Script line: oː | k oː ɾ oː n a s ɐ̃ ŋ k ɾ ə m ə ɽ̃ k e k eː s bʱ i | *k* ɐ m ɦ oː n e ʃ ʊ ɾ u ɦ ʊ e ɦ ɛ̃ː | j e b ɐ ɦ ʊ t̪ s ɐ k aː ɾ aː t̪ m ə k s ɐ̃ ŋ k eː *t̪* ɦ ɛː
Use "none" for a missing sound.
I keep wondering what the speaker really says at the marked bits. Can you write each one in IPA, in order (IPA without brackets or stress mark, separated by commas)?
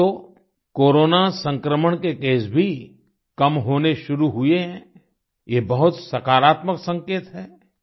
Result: k, t̪